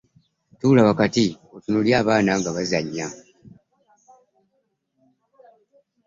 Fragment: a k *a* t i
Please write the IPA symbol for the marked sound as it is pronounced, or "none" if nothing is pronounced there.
a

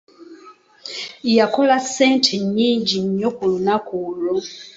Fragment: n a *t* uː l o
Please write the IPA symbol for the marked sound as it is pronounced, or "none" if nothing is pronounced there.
k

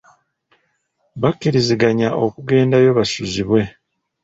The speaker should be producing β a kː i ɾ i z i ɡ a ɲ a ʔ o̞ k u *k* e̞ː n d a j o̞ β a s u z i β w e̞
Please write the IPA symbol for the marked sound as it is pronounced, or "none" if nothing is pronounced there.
ɡ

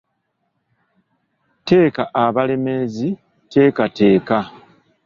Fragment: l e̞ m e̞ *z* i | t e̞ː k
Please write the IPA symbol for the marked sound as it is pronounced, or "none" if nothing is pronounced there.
z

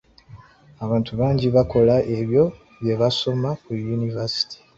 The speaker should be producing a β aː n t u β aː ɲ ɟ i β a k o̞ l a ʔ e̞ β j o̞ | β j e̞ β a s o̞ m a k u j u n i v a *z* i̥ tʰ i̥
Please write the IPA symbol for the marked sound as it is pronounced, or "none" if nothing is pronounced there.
s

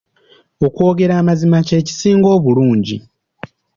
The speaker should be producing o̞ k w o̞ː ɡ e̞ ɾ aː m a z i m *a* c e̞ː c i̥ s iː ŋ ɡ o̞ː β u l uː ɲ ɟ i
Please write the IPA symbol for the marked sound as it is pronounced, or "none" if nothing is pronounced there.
a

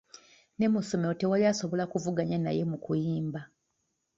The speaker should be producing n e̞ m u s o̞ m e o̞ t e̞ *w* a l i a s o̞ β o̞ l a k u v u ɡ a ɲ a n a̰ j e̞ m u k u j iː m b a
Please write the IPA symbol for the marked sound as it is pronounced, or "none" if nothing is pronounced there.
w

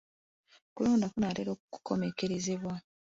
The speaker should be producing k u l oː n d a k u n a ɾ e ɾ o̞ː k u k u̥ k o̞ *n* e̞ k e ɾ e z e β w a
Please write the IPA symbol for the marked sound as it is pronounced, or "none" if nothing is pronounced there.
m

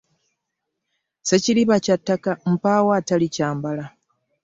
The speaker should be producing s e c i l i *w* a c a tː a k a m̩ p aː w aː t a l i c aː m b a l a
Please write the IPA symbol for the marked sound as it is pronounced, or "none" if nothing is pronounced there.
β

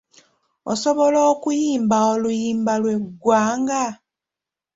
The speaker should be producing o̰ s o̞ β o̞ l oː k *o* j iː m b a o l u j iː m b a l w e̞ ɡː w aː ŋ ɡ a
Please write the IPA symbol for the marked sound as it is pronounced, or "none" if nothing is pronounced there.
u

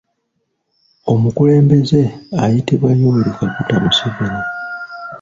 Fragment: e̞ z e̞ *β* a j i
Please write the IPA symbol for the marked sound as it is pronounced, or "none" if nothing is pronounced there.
none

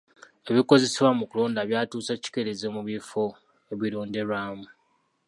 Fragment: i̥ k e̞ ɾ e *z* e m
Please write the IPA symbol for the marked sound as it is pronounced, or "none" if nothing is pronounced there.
z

